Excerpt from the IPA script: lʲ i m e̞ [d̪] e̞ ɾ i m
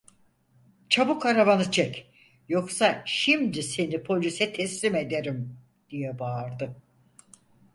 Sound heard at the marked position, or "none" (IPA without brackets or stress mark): d̪